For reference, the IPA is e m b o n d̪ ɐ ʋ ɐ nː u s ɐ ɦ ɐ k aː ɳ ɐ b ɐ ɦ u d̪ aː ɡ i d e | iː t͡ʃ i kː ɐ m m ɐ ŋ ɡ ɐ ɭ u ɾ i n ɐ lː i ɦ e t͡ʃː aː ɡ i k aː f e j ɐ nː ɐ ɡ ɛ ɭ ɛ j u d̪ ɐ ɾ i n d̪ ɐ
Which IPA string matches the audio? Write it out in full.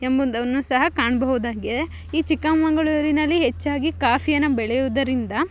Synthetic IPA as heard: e m b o n d̪ ɐ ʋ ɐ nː u s ɐ ɦ ɐ k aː ɳ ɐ b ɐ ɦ u d̪ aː ɡ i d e | iː t͡ʃ i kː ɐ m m ɐ ŋ ɡ ɐ ɭ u ɾ i n ɐ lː i ɦ e t͡ʃː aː ɡ i k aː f i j ɐ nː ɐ b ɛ ɭ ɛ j u d̪ ɐ ɾ i n d̪ ɐ